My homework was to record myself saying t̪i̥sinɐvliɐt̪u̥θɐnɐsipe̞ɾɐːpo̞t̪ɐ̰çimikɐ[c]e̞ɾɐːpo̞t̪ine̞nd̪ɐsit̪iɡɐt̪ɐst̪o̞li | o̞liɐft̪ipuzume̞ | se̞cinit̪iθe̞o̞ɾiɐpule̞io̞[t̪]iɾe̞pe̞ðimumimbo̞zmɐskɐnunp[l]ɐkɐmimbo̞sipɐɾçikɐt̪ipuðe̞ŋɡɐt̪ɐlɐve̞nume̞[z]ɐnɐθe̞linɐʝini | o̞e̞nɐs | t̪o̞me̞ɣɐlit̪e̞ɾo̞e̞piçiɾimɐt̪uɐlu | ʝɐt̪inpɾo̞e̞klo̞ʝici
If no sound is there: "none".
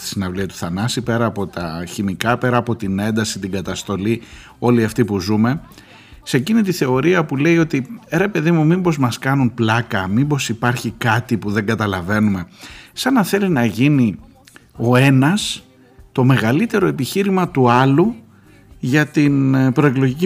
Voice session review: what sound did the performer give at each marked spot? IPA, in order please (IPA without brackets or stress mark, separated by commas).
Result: p, t̪, l, s